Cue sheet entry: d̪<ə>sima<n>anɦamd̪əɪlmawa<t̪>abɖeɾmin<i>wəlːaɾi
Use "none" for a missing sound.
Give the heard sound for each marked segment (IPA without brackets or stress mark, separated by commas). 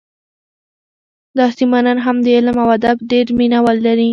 ɑ, n, d̪, a